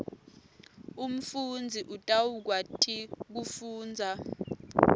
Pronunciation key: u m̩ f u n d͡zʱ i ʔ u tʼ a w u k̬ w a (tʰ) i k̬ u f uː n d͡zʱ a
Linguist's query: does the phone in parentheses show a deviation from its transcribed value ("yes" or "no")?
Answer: no